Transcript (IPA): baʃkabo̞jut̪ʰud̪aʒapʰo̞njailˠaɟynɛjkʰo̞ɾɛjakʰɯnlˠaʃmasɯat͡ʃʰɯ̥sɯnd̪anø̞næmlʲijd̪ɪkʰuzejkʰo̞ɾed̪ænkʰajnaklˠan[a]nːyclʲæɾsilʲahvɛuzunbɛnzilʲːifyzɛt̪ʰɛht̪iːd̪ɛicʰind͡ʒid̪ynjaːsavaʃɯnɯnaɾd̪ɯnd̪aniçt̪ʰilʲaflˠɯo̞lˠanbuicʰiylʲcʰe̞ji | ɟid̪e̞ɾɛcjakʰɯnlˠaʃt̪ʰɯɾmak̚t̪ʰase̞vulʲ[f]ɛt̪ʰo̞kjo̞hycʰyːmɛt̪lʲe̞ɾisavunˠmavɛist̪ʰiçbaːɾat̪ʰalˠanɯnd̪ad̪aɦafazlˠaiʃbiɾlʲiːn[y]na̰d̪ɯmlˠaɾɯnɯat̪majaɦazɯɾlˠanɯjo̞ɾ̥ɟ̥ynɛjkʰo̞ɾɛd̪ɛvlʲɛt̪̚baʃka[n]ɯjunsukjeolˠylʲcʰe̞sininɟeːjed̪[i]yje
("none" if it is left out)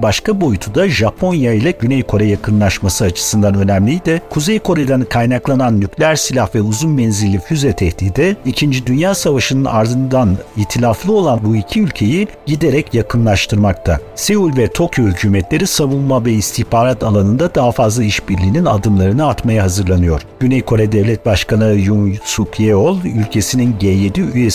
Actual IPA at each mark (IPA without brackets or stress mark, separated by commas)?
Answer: a, v, i, n, i